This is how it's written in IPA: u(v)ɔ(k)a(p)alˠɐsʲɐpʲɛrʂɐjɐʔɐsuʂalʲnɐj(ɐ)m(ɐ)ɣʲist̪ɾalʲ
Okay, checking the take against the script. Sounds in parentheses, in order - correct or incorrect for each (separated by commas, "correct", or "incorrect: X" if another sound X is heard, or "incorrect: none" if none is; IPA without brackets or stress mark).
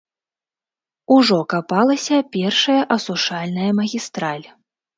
incorrect: ʐ, correct, correct, correct, correct